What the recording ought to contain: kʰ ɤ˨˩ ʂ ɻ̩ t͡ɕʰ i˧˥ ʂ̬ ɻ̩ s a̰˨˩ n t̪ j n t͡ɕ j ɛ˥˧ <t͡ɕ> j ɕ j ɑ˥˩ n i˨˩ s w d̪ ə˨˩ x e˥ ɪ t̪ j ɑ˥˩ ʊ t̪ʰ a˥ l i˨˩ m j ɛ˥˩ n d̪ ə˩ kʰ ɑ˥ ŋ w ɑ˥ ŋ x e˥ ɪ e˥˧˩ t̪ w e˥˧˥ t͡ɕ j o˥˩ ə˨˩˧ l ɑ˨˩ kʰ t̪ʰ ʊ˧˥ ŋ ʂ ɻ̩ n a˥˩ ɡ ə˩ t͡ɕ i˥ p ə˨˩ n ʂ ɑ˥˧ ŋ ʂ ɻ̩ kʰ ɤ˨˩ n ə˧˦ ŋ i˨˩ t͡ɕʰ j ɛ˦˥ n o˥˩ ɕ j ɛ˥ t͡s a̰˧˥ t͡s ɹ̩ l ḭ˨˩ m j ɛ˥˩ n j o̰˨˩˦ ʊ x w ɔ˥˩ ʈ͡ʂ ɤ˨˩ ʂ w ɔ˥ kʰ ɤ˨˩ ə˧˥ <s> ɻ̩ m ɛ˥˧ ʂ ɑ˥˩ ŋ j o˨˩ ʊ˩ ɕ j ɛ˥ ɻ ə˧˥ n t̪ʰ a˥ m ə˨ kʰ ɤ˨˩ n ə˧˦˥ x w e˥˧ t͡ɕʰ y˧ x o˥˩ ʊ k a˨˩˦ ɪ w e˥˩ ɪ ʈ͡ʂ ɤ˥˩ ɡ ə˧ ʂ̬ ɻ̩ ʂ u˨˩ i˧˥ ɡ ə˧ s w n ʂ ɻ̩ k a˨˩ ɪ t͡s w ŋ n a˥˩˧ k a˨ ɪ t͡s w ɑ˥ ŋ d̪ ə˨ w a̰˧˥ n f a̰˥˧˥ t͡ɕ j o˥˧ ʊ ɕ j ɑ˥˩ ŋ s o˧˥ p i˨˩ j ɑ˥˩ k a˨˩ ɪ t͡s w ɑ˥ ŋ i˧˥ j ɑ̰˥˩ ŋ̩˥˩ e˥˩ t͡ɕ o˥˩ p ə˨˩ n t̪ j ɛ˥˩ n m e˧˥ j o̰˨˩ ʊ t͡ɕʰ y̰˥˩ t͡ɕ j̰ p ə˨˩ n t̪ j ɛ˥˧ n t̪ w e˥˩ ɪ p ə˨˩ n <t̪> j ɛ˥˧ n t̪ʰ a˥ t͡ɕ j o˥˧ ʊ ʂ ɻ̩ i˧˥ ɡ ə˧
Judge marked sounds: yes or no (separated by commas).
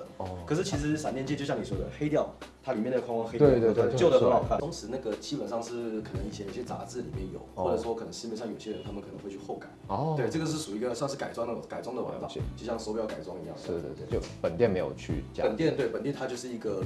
yes, no, yes